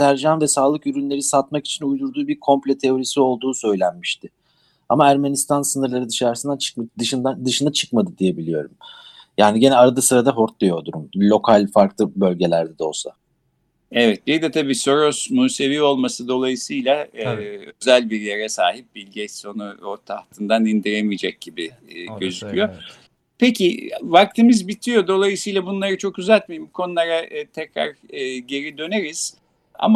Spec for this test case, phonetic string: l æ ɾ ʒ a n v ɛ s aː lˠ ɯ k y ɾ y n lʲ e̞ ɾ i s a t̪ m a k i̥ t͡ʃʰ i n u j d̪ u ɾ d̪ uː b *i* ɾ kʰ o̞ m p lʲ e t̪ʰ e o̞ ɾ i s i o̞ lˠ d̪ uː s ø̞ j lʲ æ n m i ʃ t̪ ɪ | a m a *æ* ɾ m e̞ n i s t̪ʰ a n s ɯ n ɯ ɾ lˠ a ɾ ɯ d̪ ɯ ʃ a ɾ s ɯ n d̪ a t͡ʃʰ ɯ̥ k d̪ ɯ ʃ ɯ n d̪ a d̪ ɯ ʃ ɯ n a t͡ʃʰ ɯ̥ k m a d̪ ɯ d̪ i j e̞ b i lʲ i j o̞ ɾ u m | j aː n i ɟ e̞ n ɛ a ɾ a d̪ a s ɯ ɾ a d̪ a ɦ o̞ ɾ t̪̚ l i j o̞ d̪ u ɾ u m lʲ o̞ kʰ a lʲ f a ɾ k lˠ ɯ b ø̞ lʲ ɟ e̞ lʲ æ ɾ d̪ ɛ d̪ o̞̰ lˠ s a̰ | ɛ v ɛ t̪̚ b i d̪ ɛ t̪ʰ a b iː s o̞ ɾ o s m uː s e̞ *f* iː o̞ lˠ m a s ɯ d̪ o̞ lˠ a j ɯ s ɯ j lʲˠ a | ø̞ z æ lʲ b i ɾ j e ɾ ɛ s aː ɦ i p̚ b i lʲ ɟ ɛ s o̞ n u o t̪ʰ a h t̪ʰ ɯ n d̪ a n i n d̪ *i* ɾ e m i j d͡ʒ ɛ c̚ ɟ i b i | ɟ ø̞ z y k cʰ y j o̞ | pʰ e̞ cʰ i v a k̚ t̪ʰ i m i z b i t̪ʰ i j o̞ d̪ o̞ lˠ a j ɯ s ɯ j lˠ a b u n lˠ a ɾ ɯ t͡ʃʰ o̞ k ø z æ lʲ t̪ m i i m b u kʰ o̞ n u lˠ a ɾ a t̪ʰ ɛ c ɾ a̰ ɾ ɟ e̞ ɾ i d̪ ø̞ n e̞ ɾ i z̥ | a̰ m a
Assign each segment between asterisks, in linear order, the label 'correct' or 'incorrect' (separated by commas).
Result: correct, correct, incorrect, correct